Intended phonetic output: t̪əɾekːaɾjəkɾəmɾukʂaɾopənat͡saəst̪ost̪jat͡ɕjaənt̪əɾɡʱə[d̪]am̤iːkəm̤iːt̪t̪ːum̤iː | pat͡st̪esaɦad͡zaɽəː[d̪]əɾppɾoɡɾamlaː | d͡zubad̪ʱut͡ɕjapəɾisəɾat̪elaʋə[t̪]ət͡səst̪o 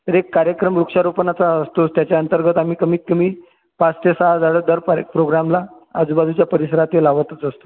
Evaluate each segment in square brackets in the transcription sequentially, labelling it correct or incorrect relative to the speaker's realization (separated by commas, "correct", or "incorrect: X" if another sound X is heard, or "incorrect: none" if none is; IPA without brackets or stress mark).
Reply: incorrect: t̪, correct, correct